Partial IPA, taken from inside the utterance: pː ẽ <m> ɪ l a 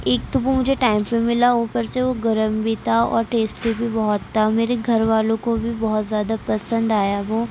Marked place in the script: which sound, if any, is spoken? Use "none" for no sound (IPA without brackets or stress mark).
m